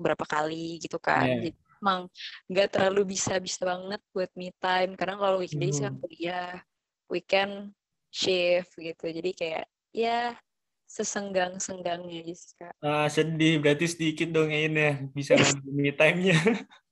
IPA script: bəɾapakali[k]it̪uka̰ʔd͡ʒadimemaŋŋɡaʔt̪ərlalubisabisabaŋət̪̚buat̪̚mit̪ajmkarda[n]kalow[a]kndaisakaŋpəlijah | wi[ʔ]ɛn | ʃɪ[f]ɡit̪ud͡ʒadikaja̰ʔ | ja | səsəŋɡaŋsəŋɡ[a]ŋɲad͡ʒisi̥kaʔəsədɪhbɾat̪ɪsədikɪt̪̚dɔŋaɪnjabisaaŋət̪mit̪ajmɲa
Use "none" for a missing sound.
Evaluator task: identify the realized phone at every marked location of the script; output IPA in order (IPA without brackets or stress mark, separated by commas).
ɡ, ŋ, i, k, f, a